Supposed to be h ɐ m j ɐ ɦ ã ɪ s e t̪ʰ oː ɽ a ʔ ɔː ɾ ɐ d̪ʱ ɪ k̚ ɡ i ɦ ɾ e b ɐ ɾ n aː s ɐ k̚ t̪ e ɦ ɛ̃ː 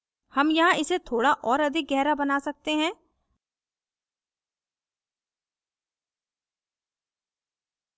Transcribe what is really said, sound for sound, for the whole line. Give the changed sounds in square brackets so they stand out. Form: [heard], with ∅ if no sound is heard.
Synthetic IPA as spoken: h ɐ m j ɐ ɦ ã ɪ s e t̪ʰ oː ɽ a ʔ ɔː ɾ ɐ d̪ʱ ɪ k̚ ɡ [ɛ] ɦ ɾ [a] b ɐ [∅] n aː s ɐ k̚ t̪ e ɦ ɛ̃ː